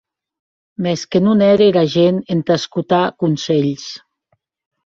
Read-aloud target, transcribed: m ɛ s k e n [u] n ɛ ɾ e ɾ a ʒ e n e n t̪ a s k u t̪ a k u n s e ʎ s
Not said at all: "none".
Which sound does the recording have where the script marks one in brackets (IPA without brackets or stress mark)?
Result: u